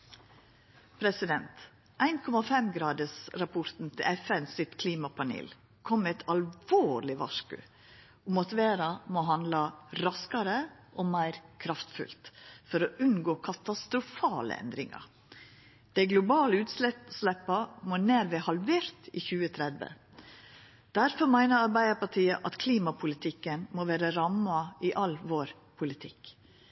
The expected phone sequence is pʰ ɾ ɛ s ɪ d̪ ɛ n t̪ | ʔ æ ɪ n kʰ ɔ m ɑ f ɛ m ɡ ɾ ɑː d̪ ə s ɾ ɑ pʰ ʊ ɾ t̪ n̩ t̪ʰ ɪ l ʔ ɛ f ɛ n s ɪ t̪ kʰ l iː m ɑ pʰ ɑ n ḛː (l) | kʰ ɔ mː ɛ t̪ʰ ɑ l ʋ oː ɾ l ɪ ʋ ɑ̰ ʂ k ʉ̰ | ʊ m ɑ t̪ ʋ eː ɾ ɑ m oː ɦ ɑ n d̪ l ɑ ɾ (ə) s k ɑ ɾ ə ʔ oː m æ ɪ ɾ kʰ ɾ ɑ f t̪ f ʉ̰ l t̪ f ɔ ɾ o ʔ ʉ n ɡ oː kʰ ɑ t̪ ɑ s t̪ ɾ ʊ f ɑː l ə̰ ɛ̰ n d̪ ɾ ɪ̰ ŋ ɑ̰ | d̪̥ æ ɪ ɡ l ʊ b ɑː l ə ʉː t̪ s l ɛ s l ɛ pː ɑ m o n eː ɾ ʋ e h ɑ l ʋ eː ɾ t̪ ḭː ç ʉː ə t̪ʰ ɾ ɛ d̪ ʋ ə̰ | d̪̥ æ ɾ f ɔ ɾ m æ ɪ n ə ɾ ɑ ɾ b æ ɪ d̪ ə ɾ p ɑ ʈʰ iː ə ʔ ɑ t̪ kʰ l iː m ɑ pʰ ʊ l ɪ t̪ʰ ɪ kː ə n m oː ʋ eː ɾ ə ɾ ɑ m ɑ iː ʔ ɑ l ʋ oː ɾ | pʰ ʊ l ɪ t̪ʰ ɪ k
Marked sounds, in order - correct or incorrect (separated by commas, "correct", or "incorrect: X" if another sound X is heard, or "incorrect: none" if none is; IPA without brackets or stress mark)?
correct, incorrect: ɑ